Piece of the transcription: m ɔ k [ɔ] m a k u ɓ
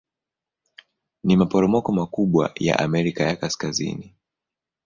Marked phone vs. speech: correct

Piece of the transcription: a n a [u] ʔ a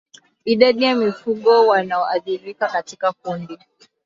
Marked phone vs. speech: incorrect: ɔ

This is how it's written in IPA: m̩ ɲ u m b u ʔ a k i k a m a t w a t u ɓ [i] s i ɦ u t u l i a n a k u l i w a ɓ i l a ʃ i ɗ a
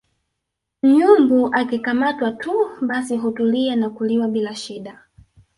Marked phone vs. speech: incorrect: a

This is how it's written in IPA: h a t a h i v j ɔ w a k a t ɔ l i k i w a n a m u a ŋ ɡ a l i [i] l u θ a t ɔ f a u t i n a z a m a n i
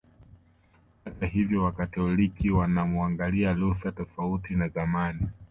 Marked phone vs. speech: incorrect: a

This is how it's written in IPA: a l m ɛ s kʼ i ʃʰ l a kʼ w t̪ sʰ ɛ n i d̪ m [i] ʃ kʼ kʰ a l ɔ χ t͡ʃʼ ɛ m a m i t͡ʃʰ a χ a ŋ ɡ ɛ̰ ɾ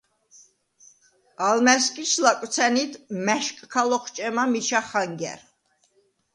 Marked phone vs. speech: incorrect: ɛ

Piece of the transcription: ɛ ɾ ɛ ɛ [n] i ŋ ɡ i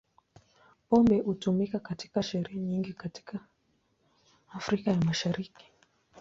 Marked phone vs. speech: incorrect: ɲ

